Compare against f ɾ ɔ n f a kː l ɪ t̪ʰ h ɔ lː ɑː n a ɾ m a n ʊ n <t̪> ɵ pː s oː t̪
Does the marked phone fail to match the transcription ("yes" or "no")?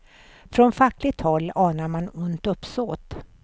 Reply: no